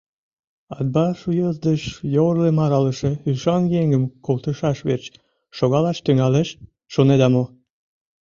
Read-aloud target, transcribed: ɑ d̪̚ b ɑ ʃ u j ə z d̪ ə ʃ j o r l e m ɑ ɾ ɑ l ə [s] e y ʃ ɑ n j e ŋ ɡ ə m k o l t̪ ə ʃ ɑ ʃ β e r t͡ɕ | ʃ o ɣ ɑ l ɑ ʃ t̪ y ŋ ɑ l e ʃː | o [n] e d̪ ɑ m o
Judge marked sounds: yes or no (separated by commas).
no, yes